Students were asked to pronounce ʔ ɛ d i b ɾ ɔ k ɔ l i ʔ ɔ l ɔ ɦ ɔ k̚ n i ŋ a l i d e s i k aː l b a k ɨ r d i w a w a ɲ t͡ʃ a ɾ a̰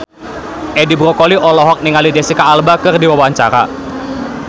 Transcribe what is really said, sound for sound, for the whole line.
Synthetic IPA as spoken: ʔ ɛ d i b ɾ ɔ k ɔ l i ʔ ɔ l ɔ ɦ ɔ k̚ n i ŋ a l i d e s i k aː l b a k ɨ r d i w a w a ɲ t͡ʃ a ɾ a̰